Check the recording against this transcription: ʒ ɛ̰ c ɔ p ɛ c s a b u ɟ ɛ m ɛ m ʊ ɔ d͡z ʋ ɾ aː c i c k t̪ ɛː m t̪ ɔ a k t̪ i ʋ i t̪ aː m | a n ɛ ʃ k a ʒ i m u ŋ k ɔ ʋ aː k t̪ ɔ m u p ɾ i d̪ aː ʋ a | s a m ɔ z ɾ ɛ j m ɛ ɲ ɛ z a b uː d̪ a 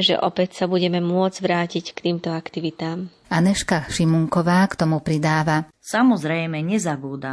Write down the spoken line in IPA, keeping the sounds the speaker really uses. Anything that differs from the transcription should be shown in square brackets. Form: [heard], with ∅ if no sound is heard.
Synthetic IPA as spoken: ʒ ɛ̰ [ʔ] ɔ p ɛ c s a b u ɟ ɛ m ɛ m ʊ ɔ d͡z ʋ ɾ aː c i c k t̪ [iː] m t̪ ɔ a k t̪ i ʋ i t̪ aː m | a n ɛ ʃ k a [ʃ] i m u ŋ k ɔ ʋ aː k t̪ ɔ m u p ɾ i d̪ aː ʋ a | s a m ɔ z ɾ ɛ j m ɛ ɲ ɛ z a b uː d̪ a